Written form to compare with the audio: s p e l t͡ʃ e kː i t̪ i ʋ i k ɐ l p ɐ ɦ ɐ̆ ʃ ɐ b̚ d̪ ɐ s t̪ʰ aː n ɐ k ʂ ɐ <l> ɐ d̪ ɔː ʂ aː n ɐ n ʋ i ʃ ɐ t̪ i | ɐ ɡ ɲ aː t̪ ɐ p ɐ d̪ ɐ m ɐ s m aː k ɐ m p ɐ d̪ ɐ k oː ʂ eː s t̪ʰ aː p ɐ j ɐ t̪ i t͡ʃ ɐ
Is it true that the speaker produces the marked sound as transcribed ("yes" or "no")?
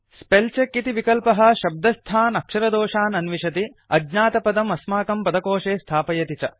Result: no